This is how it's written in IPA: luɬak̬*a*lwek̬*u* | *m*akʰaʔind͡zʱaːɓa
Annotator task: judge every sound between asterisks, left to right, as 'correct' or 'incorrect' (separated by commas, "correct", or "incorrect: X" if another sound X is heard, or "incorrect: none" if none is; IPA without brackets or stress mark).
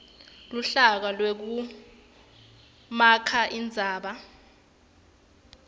correct, correct, correct